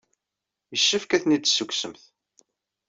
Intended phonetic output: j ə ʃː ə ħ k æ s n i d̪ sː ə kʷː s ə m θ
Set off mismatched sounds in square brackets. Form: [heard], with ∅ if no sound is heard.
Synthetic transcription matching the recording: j ə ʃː ə [f] k æ [θ] n i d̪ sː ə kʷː s ə m θ